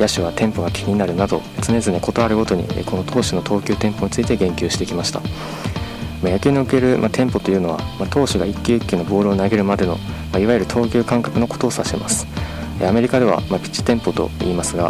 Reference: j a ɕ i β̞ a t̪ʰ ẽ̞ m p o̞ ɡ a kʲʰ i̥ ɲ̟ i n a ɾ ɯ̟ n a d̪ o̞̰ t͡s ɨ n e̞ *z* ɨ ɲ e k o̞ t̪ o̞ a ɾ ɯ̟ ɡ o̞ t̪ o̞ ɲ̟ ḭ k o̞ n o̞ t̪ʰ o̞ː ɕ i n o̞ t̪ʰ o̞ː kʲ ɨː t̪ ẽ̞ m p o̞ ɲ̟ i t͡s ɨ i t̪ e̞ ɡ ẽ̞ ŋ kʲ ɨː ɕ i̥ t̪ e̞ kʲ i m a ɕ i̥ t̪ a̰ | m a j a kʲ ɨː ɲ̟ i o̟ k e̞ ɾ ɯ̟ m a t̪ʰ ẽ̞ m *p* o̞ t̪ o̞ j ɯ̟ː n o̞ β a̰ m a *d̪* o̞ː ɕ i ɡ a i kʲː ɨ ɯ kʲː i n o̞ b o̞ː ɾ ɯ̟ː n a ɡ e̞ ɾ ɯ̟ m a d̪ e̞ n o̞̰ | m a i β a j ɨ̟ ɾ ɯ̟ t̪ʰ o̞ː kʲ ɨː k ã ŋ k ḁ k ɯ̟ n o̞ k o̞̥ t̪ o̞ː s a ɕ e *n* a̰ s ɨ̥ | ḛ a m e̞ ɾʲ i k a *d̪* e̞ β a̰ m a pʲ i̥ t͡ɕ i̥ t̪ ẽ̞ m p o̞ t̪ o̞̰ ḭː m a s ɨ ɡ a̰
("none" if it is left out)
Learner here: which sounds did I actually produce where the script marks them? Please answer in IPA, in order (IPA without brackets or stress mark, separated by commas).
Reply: z, p, t̪, m, d̪